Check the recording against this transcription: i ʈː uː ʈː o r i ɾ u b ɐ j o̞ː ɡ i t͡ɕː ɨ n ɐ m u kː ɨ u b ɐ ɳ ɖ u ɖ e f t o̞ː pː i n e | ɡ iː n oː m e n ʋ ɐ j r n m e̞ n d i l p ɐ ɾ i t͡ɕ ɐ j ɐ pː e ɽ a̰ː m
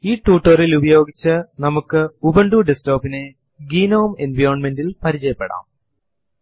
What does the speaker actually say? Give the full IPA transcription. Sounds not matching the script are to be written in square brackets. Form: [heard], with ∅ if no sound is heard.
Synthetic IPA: [iː] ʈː uː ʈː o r i [l] u b ɐ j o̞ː ɡ i t͡ɕː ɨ n ɐ m u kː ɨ u b ɐ ɳ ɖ u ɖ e [s] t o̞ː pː i n e | ɡ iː n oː m e n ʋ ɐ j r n m e̞ n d i l p ɐ ɾ i t͡ɕ ɐ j ɐ pː e ɽ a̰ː m

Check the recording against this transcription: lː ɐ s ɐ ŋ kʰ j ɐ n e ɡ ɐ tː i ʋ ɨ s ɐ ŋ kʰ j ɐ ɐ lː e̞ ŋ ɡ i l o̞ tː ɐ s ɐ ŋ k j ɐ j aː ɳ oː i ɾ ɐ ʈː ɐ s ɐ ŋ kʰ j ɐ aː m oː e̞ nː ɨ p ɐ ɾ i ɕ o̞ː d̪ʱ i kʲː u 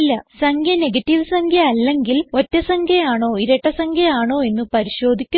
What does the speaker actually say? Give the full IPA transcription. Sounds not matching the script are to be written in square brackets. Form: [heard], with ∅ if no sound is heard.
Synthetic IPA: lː ɐ s ɐ ŋ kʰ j ɐ n e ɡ ɐ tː i ʋ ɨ s ɐ ŋ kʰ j ɐ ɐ lː e̞ ŋ ɡ i l o̞ tː ɐ s ɐ ŋ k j ɐ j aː ɳ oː i ɾ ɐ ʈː ɐ s ɐ ŋ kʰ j ɐ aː [ɳ] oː e̞ nː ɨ p ɐ ɾ i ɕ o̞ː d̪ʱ i kʲː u

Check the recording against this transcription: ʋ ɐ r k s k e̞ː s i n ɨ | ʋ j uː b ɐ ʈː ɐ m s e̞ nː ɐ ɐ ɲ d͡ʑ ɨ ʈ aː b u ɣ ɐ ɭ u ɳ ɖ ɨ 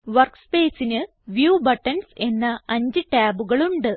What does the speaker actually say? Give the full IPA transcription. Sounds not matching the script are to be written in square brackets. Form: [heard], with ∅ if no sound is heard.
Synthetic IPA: ʋ ɐ r k s [p] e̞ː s i n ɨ | ʋ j uː b ɐ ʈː ɐ [n] s e̞ nː ɐ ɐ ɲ d͡ʑ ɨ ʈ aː b u ɣ ɐ ɭ u ɳ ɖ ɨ

